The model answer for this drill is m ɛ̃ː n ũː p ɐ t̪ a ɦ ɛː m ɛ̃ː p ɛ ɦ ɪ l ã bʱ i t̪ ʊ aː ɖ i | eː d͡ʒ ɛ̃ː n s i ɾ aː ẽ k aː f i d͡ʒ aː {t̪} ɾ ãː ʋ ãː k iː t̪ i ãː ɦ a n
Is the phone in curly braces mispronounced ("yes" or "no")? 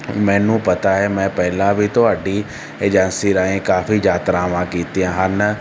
no